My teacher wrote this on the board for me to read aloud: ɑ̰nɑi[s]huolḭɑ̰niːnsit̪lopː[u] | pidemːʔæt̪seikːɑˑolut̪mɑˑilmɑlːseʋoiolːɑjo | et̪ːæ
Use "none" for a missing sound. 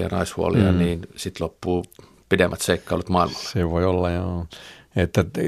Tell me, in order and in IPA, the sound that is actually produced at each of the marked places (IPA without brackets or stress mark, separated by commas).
s, uː